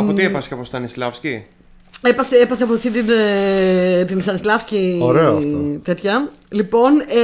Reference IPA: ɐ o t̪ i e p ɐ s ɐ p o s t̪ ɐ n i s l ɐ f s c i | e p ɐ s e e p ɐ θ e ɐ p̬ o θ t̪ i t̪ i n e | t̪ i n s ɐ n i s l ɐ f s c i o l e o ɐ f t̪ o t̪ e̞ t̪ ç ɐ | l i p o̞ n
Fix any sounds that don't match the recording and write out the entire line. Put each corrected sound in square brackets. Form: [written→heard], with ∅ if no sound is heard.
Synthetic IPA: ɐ o t̪ i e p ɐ s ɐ p o s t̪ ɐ n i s l ɐ f s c i | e p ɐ s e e p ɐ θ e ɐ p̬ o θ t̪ i t̪ i n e | t̪ i n s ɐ n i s l ɐ f s c i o [l→ɾ] e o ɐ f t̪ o t̪ e̞ t̪ ç ɐ | l i p o̞ n